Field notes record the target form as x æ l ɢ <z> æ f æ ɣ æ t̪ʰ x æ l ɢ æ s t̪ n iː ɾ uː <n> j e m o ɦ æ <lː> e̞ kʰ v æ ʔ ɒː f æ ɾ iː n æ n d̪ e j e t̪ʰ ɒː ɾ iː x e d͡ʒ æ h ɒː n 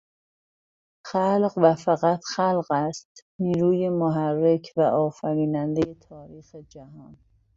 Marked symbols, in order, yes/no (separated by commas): no, no, no